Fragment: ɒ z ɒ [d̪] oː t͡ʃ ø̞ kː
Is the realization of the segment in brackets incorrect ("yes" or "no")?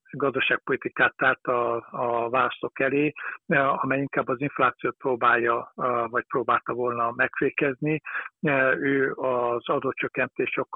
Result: no